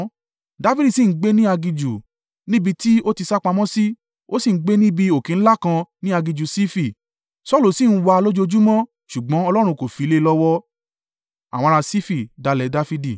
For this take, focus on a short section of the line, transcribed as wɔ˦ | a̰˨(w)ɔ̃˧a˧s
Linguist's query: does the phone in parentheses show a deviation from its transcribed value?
no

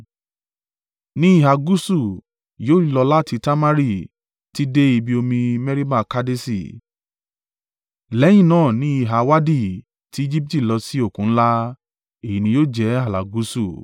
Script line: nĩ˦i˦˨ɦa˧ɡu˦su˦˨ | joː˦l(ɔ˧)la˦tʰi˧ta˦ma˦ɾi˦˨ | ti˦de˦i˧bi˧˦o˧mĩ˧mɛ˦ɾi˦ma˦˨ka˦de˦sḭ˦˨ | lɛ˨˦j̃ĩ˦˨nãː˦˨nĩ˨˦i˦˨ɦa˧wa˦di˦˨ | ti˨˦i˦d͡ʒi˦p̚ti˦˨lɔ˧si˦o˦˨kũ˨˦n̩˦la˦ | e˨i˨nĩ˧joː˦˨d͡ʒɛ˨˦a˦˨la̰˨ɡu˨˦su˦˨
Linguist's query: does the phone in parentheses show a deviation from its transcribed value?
no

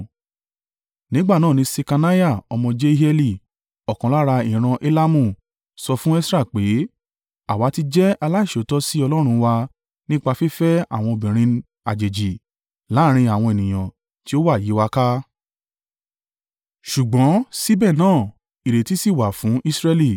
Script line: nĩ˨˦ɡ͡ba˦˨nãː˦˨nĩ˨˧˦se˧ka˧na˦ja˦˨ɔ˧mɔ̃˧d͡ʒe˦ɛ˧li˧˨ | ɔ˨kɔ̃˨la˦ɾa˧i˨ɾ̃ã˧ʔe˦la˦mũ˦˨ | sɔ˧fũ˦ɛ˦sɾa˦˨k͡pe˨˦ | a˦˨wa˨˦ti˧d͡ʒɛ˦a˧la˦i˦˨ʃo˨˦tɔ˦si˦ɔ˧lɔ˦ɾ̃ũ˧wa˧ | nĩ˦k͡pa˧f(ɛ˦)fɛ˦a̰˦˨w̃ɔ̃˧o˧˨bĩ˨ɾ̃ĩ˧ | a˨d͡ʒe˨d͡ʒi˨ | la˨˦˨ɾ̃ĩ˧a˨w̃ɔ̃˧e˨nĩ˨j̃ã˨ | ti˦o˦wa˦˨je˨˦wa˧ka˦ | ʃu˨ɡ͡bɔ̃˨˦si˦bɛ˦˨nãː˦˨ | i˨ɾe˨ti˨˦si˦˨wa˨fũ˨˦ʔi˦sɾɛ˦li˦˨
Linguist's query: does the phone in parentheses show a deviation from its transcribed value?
yes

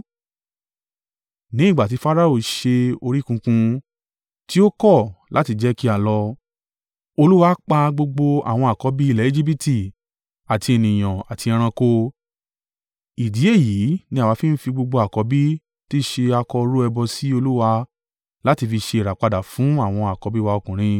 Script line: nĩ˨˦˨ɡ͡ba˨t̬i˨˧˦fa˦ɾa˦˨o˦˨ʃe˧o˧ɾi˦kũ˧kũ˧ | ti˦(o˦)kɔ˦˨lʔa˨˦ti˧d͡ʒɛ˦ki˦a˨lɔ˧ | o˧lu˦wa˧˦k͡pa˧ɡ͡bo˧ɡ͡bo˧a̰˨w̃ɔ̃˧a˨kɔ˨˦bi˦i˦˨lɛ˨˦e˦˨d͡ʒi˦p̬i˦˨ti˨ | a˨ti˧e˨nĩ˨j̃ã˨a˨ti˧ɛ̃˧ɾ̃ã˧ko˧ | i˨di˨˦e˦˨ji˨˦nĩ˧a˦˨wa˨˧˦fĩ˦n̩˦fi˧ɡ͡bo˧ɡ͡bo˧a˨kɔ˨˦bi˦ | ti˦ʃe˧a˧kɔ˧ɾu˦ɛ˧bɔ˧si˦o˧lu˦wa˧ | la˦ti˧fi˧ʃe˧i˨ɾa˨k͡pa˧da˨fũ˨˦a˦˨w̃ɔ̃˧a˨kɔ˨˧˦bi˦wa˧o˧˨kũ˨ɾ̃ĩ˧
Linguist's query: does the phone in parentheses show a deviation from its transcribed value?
no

